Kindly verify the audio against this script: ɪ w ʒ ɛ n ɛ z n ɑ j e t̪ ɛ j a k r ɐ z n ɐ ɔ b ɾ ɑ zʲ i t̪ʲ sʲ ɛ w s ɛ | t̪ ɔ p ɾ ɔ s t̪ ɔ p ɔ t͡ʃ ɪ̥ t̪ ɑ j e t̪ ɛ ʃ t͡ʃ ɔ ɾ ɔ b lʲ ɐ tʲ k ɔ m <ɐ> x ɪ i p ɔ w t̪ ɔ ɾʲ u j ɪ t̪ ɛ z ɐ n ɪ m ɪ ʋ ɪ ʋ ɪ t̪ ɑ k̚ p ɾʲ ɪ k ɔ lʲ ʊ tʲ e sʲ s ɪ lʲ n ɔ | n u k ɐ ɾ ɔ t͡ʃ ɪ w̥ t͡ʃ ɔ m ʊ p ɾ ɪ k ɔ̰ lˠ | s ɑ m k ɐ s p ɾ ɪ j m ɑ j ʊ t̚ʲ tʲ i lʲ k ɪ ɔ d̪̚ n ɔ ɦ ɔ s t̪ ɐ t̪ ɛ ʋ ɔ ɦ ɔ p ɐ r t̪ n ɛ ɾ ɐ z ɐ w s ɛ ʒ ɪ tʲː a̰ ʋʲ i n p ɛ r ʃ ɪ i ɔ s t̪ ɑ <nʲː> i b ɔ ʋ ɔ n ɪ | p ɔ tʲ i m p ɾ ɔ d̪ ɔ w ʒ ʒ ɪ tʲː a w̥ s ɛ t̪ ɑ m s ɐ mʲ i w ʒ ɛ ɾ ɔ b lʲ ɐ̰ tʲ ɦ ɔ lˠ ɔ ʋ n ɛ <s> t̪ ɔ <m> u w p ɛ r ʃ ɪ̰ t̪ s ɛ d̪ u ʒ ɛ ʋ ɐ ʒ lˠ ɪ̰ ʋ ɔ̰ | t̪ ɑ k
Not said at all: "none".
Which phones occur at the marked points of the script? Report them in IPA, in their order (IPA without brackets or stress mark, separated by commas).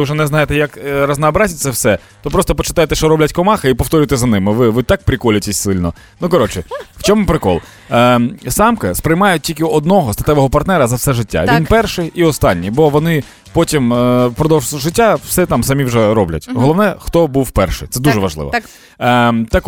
ɑ, nʲː, x, b